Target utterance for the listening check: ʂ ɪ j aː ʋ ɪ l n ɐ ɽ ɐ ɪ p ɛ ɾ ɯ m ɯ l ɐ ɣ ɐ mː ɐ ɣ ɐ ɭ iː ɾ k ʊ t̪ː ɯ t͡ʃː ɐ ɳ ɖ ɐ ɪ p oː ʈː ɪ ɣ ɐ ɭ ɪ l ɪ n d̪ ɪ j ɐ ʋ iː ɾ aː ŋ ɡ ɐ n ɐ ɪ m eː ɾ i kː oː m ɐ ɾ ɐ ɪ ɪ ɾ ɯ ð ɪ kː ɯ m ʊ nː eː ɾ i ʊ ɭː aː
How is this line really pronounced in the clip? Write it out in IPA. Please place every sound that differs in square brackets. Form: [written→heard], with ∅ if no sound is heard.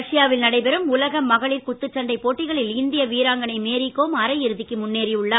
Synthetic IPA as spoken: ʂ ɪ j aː ʋ ɪ l n ɐ ɽ ɐ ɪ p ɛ ɾ ɯ m [ɯ→ʊ] l ɐ ɣ ɐ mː ɐ ɣ ɐ ɭ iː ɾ k ʊ t̪ː ɯ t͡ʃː ɐ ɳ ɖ ɐ ɪ p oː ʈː ɪ ɣ ɐ ɭ ɪ l ɪ n d̪ ɪ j ɐ ʋ iː ɾ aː ŋ ɡ ɐ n ɐ ɪ m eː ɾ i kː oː m ɐ ɾ ɐ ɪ ɪ ɾ ɯ ð ɪ kː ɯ m ʊ nː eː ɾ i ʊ ɭː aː